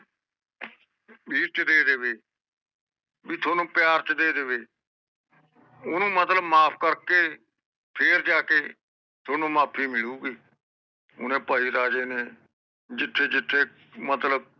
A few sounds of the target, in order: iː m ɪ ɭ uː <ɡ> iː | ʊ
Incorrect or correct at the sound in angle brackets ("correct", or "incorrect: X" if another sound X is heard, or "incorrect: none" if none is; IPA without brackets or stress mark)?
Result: correct